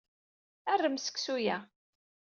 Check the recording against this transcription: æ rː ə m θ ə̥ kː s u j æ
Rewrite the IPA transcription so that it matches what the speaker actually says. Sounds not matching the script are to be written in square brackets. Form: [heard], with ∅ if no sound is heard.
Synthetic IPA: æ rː ə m [s] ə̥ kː s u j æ